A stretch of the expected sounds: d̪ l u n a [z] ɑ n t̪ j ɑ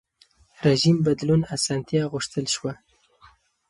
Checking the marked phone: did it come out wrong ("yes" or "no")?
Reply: yes